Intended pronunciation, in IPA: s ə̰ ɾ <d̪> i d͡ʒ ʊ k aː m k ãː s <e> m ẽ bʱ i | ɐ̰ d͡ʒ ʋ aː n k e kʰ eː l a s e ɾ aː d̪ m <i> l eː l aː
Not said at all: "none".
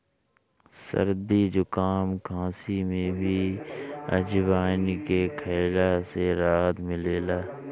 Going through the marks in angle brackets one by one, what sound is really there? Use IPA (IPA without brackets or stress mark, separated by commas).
d̪, i, ɪ